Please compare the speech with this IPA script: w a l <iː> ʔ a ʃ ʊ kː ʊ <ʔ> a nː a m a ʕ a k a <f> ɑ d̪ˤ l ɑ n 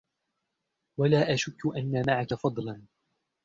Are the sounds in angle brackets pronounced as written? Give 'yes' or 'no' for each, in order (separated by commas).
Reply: no, yes, yes